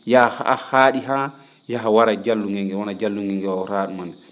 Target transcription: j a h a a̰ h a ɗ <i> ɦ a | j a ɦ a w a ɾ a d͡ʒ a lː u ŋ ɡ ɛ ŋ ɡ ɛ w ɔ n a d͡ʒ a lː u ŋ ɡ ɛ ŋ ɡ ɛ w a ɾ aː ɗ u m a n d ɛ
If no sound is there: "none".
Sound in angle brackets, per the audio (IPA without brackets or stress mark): i